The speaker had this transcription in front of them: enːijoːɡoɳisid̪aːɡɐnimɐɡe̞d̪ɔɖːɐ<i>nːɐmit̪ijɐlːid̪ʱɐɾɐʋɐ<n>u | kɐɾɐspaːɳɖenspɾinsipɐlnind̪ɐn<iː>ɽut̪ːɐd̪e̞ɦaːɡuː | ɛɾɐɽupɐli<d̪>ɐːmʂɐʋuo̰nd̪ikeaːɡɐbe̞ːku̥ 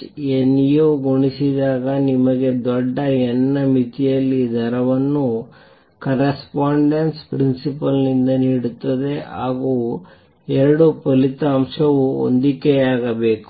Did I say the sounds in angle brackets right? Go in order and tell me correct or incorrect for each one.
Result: incorrect, incorrect, correct, incorrect

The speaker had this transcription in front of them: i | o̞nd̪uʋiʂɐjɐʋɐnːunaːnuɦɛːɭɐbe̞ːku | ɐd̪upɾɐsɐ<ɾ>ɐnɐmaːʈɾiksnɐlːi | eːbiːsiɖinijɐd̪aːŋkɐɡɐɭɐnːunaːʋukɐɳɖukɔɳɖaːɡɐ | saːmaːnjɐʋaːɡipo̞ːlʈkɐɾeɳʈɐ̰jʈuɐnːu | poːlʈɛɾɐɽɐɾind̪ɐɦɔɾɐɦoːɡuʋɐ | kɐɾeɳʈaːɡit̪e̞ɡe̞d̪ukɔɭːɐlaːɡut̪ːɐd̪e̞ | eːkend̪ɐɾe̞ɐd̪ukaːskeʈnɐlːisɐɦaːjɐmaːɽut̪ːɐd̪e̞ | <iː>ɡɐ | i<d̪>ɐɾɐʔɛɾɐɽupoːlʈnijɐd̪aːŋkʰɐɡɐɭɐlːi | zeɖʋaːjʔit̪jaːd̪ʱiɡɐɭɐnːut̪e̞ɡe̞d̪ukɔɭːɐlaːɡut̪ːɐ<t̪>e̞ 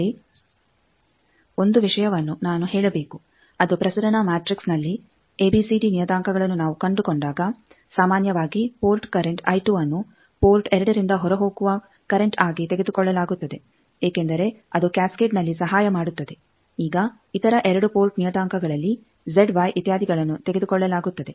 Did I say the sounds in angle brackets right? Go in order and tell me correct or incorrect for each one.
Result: correct, correct, incorrect, incorrect

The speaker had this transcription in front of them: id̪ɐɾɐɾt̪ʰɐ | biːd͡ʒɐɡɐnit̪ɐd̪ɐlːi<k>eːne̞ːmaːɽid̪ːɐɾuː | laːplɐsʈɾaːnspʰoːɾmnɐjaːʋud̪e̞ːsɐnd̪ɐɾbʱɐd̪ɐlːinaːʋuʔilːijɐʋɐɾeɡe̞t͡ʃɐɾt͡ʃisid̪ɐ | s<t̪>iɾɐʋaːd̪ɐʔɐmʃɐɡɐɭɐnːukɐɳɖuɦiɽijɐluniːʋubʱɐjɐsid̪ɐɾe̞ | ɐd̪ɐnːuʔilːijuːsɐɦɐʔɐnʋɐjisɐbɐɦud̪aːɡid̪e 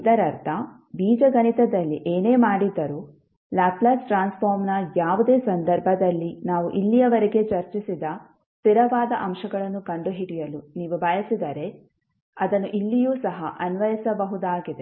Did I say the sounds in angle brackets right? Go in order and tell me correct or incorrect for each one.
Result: incorrect, correct

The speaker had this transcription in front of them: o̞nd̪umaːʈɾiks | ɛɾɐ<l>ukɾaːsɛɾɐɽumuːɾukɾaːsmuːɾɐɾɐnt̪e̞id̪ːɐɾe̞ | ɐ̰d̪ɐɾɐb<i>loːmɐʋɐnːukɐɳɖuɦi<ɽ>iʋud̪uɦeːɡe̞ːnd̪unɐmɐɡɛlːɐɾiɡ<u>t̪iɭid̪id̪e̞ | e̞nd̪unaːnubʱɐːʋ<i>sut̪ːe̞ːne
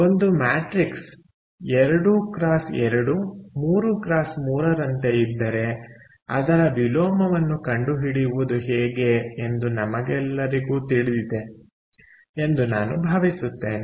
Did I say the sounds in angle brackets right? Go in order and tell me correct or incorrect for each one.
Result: incorrect, correct, correct, incorrect, correct

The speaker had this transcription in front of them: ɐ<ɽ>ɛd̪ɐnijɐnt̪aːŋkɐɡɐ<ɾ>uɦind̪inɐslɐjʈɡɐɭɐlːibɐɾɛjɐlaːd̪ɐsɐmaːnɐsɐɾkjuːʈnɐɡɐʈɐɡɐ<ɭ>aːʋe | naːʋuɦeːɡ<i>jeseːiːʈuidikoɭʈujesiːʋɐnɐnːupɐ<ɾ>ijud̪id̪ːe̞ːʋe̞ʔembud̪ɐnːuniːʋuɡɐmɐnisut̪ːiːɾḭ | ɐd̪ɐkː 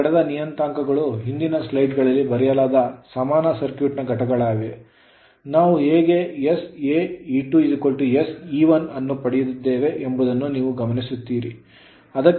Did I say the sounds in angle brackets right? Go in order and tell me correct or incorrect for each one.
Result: correct, incorrect, correct, incorrect, incorrect

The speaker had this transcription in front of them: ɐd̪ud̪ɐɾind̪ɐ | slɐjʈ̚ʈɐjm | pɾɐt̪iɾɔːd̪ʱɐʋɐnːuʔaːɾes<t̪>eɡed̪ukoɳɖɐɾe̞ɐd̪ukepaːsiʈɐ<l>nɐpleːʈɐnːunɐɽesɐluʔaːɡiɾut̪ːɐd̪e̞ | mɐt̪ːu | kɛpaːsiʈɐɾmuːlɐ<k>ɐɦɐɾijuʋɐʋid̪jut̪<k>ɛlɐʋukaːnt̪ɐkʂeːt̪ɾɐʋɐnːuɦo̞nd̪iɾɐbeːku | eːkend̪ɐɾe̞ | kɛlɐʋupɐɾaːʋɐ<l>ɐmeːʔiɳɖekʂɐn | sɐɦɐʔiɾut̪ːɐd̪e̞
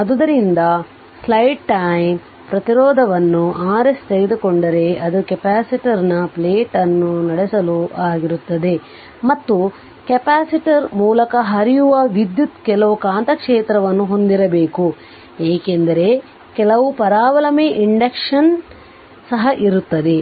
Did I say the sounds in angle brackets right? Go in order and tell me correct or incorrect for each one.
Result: correct, incorrect, correct, correct, correct

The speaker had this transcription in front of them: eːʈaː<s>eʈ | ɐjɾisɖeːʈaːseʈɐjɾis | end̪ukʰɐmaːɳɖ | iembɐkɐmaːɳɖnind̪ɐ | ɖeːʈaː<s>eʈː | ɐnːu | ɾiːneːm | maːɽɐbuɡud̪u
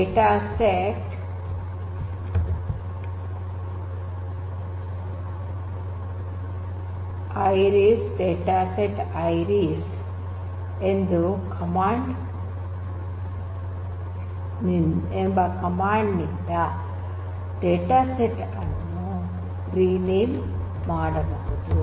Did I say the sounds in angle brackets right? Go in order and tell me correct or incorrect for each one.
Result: correct, correct

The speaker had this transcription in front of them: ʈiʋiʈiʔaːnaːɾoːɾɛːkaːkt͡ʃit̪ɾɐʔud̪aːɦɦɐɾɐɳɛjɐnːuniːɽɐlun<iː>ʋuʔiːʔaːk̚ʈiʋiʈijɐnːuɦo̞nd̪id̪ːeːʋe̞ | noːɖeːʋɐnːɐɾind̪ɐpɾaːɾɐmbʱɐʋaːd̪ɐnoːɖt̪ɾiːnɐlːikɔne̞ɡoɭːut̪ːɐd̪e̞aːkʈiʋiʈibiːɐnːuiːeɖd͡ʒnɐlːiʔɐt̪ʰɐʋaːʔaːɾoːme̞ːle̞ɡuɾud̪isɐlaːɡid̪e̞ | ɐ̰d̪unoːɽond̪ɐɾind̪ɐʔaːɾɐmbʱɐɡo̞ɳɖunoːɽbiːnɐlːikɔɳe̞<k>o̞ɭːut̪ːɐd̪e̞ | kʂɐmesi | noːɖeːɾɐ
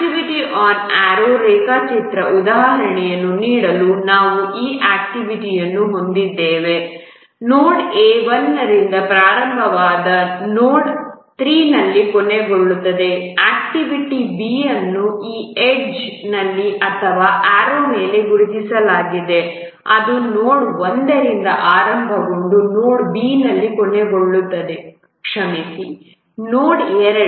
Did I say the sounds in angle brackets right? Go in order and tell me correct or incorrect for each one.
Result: incorrect, incorrect

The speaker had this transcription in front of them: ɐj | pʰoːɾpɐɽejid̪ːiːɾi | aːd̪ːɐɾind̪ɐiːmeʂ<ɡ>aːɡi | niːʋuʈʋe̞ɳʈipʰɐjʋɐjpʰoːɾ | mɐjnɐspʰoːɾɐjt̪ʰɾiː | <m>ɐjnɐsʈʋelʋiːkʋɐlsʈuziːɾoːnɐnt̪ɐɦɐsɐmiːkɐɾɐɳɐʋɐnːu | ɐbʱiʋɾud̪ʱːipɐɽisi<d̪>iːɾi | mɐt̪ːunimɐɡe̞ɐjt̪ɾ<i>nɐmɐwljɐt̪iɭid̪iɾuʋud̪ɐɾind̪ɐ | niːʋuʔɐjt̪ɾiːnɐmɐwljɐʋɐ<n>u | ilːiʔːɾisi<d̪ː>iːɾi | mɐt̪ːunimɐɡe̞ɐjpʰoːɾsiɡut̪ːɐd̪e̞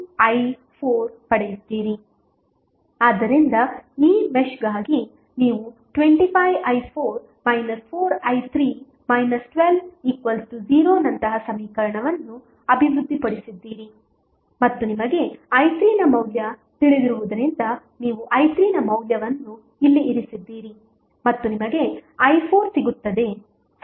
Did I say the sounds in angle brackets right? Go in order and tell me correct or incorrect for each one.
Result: correct, correct, incorrect, incorrect, incorrect, correct

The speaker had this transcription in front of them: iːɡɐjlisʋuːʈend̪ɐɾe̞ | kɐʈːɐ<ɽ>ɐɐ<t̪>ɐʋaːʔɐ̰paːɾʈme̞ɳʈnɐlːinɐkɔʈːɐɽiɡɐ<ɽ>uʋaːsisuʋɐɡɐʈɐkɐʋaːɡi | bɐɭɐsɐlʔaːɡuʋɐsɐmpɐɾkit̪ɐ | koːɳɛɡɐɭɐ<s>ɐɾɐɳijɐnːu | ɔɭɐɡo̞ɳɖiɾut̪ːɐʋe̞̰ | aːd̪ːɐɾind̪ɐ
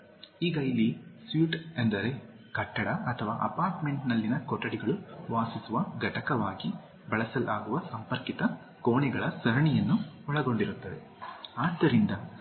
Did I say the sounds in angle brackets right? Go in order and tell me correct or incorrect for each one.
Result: correct, incorrect, incorrect, correct

